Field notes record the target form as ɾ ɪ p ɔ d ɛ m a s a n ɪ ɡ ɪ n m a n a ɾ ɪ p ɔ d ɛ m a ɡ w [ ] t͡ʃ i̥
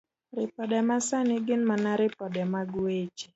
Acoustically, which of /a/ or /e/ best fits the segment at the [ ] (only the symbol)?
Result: e